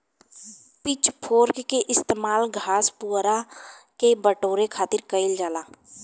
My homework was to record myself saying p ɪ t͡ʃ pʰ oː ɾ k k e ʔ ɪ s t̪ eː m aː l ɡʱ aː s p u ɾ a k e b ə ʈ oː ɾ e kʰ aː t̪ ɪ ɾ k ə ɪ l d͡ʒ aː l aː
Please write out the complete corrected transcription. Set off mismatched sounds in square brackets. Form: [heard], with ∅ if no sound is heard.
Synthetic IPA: p ɪ t͡ʃ pʰ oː ɾ k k e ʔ ɪ s t̪ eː m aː l ɡʱ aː s p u ɾ a k e b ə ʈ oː ɾ e kʰ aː t̪ ɪ ɾ k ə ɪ l d͡ʒ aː l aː